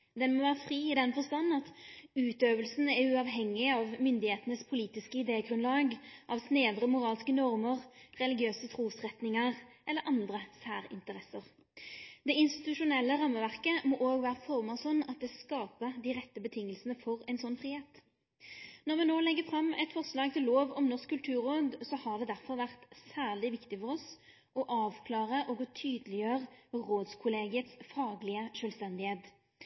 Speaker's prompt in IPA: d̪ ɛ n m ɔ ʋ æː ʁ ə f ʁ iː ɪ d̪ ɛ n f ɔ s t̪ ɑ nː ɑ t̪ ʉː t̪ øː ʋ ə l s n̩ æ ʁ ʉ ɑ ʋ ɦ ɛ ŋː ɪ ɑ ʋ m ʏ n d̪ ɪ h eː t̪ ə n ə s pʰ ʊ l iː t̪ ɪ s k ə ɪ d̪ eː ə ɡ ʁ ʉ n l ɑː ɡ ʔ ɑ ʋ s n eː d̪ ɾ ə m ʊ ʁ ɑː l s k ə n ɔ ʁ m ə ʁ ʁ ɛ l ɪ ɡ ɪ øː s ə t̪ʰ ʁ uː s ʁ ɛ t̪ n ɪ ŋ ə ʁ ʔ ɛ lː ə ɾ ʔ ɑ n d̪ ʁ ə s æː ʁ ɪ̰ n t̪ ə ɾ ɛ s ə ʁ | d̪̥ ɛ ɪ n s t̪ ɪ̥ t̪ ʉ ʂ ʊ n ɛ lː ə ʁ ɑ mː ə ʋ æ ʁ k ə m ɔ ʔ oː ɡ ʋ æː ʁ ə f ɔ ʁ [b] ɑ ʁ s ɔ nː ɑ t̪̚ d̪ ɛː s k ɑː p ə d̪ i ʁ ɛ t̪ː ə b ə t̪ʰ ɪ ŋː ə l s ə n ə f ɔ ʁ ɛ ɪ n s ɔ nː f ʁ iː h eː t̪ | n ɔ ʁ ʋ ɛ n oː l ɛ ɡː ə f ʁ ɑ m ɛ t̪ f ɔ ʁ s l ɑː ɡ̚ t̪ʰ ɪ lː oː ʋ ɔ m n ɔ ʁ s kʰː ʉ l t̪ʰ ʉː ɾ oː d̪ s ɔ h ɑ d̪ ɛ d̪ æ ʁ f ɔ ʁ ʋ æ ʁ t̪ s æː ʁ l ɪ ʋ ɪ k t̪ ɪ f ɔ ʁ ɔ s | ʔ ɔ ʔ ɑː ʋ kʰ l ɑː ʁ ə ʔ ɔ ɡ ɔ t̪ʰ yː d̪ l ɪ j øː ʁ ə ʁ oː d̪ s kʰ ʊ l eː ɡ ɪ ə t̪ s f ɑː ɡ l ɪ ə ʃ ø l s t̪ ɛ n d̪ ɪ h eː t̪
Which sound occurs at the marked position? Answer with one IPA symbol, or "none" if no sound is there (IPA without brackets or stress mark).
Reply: m